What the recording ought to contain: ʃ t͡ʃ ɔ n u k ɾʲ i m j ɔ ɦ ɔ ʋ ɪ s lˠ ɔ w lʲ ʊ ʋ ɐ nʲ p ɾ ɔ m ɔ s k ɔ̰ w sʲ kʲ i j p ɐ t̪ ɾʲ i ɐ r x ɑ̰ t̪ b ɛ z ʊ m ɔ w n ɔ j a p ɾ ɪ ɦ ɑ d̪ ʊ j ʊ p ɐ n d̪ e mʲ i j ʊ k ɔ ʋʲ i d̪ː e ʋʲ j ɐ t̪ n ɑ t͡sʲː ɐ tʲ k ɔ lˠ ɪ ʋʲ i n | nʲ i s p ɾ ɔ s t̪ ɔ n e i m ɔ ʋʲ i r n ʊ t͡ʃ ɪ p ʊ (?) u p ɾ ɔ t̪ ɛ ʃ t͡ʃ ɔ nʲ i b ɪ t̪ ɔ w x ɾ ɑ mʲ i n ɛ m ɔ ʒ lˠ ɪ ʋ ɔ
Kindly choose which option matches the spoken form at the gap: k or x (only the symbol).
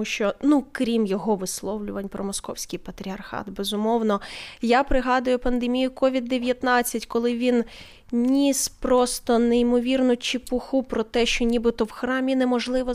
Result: x